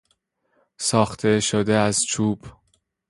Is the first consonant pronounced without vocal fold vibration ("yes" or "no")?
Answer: yes